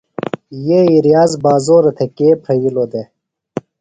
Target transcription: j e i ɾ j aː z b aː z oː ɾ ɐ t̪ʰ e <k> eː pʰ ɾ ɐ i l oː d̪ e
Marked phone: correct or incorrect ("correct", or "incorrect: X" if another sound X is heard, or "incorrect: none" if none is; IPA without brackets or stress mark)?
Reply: correct